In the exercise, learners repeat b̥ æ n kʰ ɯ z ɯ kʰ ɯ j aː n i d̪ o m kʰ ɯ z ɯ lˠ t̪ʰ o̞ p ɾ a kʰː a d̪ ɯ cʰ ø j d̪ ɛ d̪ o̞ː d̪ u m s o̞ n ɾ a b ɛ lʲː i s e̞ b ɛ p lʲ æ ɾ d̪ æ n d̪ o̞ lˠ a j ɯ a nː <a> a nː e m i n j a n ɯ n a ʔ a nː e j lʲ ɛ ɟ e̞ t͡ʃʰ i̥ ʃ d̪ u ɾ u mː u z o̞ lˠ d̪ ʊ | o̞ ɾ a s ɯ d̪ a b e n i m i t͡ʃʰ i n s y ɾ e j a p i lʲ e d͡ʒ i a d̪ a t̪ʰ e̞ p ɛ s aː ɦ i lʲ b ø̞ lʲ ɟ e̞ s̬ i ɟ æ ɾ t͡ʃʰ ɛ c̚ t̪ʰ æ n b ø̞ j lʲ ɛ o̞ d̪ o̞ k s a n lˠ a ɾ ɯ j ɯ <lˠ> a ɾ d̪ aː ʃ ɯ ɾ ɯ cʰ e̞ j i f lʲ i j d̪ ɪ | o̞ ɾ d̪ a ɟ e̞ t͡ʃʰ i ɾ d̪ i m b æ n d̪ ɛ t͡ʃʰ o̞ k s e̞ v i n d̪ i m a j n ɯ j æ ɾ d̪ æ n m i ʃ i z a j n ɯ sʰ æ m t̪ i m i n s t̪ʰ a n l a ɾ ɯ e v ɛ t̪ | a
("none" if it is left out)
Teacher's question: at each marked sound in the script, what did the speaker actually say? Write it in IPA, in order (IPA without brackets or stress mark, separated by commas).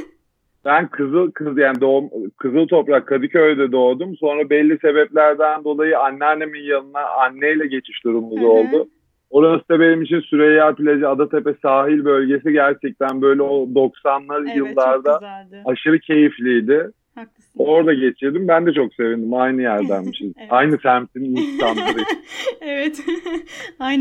ɛ, lˠː